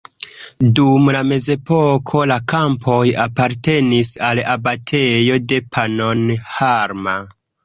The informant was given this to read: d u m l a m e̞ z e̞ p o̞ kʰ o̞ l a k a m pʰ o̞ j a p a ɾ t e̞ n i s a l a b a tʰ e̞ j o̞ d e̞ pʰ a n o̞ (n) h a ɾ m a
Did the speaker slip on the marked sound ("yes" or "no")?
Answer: no